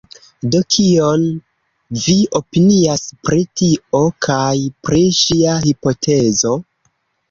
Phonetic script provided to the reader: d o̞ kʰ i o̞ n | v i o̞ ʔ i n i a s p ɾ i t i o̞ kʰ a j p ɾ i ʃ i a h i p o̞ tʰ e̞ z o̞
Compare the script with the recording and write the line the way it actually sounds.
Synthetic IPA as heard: d o̞ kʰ i o̞ n | v i o̞ p i n i a s p ɾ i t i o̞ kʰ a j p ɾ i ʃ i a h i p o̞ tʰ e̞ z o̞